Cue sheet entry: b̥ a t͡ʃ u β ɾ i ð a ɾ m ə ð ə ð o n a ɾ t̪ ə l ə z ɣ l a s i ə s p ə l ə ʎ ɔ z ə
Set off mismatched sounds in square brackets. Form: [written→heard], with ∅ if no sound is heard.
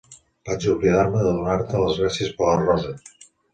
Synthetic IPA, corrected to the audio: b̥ a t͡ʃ u β [ɾ→l] i ð a ɾ m ə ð ə ð [o→u] n a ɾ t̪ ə l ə z ɣ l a s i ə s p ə l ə [ʎ→r] ɔ z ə